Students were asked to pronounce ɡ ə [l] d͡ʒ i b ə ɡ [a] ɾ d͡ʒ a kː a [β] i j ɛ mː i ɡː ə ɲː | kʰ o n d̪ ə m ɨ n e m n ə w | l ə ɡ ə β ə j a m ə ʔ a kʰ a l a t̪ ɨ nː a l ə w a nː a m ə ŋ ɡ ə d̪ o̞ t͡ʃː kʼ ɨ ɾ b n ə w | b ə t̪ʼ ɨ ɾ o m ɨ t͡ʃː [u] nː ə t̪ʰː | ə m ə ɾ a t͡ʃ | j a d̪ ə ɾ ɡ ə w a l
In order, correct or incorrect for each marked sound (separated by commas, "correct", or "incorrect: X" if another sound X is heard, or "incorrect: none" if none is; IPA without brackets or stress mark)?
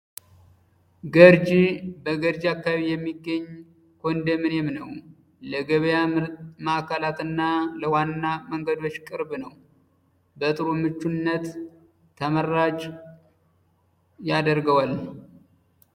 incorrect: ɾ, incorrect: ə, correct, correct